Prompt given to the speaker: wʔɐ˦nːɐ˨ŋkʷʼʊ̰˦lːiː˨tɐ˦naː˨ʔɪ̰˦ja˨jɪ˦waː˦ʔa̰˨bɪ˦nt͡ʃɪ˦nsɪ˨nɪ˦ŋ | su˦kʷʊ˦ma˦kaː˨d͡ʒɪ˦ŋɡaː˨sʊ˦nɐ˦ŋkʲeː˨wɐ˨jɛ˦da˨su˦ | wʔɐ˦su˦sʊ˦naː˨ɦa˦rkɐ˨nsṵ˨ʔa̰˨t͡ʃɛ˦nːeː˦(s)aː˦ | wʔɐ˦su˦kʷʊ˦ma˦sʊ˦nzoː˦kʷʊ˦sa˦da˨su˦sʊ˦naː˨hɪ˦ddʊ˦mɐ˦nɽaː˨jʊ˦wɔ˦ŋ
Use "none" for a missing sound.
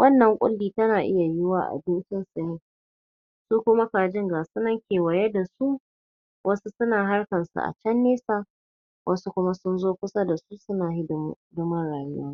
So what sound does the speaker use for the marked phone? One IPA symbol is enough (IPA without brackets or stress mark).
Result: s